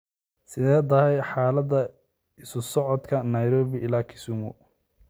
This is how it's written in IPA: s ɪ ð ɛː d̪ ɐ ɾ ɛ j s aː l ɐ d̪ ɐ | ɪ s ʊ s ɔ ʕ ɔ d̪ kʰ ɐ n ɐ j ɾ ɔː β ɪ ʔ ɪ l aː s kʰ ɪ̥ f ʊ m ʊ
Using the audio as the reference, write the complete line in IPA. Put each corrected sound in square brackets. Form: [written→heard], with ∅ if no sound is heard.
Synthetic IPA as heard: s ɪ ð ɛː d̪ ɐ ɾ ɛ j [s→ħ] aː l ɐ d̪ ɐ | ɪ s ʊ s ɔ ʕ ɔ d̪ kʰ ɐ n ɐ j ɾ ɔː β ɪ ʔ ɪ l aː [s→∅] kʰ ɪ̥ [f→s] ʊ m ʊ